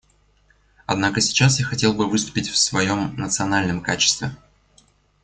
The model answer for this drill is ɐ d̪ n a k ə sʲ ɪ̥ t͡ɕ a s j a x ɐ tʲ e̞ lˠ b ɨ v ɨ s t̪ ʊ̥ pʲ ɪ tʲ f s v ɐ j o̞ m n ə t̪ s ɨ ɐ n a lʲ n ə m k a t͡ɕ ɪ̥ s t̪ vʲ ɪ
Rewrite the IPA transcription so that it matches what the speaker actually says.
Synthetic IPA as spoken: ɐ d̪ n a k ə sʲ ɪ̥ t͡ɕ a s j a x ɐ tʲ e̞ lˠ b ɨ v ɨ s t̪ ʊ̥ pʲ ɪ tʲ f s v ɐ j o̞ m n ə t̪ s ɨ ɐ n a lʲ n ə m k a t͡ɕ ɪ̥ s t̪ vʲ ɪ